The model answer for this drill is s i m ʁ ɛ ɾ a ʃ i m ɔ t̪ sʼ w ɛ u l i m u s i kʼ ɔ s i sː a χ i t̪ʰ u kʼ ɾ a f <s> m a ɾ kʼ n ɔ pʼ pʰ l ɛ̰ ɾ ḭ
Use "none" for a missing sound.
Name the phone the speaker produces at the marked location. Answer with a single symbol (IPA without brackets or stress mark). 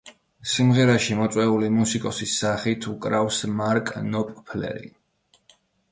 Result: s